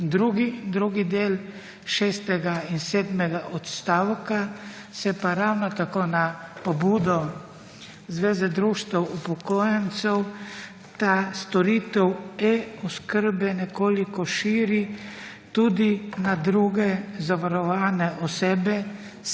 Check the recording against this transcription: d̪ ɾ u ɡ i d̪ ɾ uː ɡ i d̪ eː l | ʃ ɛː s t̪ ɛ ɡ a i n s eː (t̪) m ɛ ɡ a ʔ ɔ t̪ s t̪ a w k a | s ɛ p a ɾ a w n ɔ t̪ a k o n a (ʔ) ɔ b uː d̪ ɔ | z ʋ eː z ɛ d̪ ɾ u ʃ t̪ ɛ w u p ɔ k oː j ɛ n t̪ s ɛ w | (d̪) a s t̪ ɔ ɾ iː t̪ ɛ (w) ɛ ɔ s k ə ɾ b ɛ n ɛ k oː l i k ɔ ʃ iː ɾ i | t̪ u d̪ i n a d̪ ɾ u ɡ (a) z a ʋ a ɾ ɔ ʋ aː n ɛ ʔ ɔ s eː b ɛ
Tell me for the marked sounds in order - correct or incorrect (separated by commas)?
incorrect, incorrect, incorrect, correct, incorrect